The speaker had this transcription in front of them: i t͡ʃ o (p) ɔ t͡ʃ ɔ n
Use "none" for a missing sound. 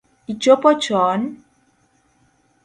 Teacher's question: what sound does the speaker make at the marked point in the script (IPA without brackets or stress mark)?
p